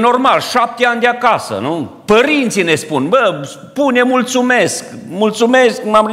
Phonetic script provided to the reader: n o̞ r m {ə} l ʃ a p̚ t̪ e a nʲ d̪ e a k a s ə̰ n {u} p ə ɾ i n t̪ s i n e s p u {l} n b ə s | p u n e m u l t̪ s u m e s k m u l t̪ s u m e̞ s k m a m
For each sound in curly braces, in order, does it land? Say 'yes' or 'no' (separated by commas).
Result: no, yes, no